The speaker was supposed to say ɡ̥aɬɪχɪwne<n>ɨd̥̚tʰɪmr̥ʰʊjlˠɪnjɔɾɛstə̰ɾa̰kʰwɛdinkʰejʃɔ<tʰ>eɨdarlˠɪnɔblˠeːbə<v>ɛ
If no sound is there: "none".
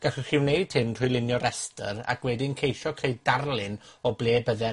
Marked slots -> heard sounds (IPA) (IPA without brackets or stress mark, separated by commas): none, kʰ, ð